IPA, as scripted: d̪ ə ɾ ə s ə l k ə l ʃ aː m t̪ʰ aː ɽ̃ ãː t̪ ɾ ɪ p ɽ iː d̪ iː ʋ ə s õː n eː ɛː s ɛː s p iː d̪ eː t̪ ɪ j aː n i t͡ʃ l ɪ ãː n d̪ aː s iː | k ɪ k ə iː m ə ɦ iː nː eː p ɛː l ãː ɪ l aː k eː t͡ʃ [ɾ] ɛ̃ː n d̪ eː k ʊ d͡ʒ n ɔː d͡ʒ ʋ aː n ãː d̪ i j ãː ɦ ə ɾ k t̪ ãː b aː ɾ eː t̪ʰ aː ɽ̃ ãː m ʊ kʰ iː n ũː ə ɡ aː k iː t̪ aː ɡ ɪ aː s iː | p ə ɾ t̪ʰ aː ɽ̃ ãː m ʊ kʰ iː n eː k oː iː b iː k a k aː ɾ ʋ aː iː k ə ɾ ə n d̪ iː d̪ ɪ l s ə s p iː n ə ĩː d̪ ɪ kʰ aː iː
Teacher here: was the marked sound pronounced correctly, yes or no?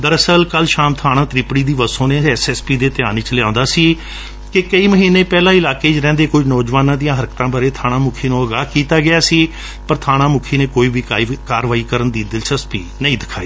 yes